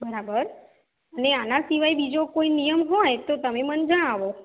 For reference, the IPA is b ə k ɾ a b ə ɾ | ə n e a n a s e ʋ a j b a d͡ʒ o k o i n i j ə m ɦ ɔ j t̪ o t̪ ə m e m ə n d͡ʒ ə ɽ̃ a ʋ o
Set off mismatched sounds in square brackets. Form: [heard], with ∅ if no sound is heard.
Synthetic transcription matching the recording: b ə [∅] ɾ a b ə ɾ | ə n e a n a s [i] ʋ a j b [i] d͡ʒ o k o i n i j ə m ɦ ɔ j t̪ o t̪ ə m e m ə n d͡ʒ ə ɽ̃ a ʋ o